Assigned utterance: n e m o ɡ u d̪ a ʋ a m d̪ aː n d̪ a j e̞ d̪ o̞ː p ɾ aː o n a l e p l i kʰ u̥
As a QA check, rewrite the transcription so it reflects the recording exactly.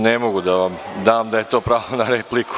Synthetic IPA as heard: n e m o ɡ u d̪ a ʋ a m d̪ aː m d̪ a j e̞ t̪ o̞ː p ɾ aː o n a ɾ e p l i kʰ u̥